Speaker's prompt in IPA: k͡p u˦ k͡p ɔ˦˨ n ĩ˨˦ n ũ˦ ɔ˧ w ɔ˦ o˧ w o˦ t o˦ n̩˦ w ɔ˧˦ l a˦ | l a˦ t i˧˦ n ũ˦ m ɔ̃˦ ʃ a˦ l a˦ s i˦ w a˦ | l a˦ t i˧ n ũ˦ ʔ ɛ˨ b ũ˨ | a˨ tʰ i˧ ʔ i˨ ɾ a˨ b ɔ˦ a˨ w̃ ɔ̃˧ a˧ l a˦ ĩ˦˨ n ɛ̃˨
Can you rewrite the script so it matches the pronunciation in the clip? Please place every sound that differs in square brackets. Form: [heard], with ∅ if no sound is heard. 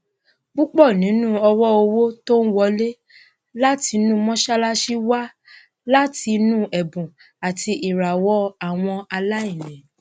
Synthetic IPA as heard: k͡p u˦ k͡p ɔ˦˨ n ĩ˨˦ n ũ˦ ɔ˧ w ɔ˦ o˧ w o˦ t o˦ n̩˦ w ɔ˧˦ l [e˦] | l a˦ t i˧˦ n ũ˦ m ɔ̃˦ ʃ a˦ l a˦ [ʃ] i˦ w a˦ | l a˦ t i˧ n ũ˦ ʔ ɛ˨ b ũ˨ | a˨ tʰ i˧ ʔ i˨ ɾ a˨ [w] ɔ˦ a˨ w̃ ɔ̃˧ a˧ l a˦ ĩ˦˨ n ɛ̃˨